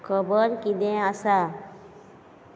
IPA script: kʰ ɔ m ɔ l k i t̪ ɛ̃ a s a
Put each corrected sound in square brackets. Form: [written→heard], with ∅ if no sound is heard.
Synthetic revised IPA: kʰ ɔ [m→b] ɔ [l→ɾ] k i [t̪→d̪] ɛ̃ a s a